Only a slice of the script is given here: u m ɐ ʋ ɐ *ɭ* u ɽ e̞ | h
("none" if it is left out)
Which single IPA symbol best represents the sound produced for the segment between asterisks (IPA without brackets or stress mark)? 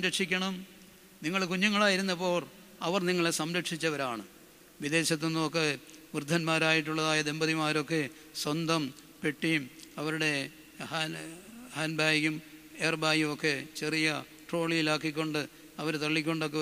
ɾ